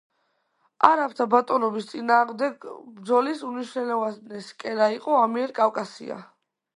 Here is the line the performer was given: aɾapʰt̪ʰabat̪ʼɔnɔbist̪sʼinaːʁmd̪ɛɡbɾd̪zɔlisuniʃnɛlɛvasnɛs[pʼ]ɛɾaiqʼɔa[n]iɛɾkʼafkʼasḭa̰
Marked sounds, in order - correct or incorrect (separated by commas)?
incorrect, incorrect